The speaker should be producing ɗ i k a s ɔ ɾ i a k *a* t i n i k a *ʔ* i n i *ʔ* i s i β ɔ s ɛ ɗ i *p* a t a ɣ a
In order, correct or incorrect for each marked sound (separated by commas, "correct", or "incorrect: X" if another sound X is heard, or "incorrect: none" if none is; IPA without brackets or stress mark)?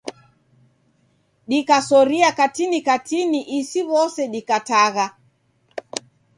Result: correct, incorrect: t, correct, incorrect: k